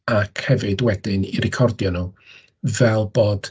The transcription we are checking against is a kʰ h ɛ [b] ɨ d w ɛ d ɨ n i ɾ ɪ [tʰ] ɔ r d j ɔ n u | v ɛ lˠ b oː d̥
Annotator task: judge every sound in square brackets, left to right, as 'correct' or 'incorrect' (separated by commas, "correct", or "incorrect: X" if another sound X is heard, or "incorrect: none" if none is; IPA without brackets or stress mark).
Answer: incorrect: v, incorrect: kʰ